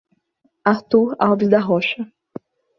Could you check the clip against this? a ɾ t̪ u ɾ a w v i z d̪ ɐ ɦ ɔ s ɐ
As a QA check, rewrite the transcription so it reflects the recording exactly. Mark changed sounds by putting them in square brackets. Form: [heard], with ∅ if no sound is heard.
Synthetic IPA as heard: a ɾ t̪ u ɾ a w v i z d̪ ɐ ɦ ɔ [ʃ] ɐ